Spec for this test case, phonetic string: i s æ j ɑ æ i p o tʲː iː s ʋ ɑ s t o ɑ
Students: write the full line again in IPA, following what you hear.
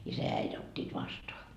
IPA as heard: i s æ j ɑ æ i t o tʲː iː t ʋ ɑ s t o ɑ